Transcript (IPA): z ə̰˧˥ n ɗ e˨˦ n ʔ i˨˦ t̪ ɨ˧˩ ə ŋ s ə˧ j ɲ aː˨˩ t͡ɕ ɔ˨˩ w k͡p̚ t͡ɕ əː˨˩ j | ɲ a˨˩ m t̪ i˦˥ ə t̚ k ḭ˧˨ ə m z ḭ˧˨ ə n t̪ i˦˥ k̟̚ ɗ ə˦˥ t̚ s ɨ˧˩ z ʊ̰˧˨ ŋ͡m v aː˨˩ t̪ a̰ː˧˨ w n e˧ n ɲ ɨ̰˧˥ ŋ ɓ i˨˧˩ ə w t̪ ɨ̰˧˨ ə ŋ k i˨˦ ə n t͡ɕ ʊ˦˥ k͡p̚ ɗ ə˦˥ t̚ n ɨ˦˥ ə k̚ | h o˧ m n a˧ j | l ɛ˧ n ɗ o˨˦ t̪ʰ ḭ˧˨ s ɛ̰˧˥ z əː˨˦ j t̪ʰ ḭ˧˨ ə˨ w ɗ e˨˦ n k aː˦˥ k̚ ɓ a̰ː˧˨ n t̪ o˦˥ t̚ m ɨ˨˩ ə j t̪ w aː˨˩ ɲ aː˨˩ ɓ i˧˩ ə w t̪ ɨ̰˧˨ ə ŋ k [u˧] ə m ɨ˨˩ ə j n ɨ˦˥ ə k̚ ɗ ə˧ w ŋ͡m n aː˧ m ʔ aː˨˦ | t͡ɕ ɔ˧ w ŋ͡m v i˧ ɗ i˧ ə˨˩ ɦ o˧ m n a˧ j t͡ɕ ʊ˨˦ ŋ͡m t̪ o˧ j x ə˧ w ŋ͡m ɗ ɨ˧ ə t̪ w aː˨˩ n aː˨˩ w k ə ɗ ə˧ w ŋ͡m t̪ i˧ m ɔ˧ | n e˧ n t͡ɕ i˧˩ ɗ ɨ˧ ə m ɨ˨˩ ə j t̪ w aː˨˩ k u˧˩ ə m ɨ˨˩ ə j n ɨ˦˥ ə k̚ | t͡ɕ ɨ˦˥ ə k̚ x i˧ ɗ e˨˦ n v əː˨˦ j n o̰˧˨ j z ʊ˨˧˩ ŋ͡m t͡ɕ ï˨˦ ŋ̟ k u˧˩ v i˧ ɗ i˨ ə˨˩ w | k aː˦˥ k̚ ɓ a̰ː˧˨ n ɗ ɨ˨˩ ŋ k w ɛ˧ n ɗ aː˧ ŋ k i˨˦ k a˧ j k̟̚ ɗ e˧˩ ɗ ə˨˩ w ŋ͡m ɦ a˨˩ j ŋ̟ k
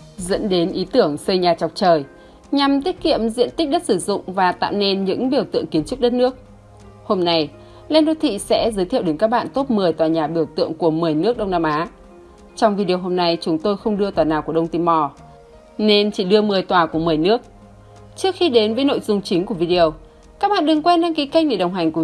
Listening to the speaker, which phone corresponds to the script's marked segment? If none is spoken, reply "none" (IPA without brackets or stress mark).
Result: u˧˩